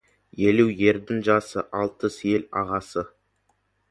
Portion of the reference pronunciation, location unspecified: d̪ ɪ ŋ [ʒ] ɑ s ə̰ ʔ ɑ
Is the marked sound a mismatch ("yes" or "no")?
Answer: no